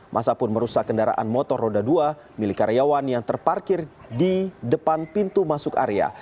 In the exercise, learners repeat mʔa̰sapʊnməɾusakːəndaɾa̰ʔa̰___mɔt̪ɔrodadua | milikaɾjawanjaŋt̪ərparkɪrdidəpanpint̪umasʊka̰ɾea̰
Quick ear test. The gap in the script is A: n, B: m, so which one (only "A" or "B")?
A